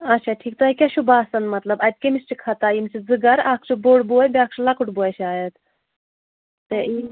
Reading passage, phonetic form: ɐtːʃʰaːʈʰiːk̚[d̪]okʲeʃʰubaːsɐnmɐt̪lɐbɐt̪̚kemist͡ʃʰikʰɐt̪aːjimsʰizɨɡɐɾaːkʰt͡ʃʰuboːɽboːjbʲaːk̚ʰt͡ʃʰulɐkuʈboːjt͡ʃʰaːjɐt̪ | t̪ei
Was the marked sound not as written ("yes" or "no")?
yes